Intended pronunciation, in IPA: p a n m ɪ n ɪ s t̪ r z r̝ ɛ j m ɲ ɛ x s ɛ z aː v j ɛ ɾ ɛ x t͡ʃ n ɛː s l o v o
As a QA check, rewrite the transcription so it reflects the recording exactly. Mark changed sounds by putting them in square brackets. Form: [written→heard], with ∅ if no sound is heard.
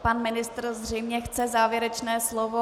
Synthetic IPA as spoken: p a n m ɪ n ɪ s t̪ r z r̝ ɛ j m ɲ ɛ x [s→t͡s] ɛ z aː v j ɛ ɾ ɛ [x→∅] t͡ʃ n ɛː s l o v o